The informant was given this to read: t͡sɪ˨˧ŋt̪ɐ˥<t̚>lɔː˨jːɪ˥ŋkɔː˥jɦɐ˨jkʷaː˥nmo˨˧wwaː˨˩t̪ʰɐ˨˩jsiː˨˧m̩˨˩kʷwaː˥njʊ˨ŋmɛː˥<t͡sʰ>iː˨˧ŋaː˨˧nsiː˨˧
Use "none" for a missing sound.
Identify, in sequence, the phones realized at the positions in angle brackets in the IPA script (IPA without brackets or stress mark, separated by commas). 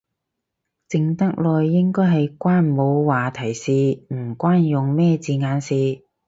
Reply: k̚, t͡s